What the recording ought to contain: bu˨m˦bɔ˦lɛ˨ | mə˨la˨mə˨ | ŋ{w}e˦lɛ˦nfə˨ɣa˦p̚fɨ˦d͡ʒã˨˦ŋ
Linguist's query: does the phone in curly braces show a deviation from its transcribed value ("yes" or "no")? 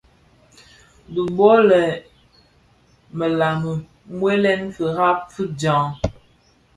no